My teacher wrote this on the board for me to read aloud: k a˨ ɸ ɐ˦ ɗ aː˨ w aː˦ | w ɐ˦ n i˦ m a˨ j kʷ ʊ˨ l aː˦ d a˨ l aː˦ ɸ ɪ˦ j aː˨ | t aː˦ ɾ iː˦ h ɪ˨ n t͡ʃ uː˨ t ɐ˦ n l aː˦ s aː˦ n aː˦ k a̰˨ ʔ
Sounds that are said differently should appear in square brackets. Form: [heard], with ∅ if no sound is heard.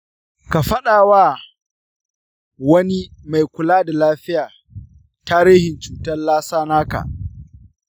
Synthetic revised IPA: k a˨ ɸ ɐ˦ ɗ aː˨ w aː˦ | w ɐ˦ n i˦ m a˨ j kʷ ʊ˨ l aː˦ d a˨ l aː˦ ɸ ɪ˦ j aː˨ | t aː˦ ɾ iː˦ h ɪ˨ n t͡ʃ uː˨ t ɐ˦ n l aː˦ s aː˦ n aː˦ k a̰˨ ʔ

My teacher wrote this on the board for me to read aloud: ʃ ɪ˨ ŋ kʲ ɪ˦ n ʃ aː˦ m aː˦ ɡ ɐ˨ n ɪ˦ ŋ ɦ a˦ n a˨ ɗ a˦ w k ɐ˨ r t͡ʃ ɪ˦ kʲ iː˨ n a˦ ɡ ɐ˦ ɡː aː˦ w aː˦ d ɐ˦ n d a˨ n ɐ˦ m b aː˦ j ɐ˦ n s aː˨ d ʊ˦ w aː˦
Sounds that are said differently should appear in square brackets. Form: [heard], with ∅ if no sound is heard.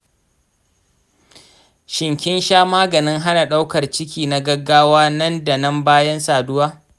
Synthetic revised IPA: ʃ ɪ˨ ŋ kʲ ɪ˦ n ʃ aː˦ m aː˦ ɡ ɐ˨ n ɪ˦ ŋ ɦ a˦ n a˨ ɗ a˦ w k ɐ˨ r t͡ʃ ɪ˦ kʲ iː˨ n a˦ ɡ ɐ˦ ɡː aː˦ w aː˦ [n] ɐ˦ n d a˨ n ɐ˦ m b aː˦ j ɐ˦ n s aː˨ d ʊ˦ w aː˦

